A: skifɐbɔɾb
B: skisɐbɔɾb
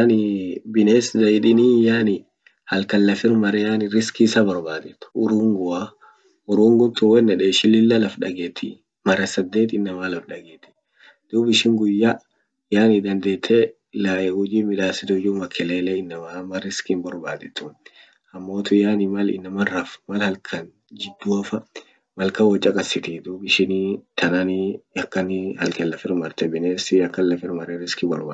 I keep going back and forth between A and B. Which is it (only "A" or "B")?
B